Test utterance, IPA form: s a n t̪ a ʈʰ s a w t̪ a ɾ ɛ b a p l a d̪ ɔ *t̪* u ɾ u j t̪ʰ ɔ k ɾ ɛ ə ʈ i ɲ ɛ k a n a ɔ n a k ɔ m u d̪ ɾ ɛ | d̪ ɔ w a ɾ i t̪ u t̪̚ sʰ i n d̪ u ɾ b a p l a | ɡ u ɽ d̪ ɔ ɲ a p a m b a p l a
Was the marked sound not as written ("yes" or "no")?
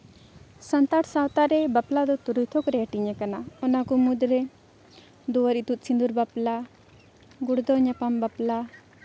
no